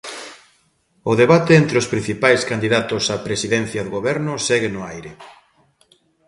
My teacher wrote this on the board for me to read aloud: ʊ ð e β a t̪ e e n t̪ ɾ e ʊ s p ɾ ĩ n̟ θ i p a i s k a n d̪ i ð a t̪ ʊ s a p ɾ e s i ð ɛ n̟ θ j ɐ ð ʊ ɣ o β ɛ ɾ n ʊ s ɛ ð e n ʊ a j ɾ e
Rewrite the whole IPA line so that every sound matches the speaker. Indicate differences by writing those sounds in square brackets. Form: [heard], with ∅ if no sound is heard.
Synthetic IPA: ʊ ð e β a t̪ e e n t̪ ɾ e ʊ s p ɾ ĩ n̟ θ i p a [j] s k a n d̪ i ð a t̪ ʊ s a p ɾ e s i ð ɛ n̟ θ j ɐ ð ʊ ɣ o β ɛ ɾ n ʊ s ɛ [ɣ] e n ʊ a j ɾ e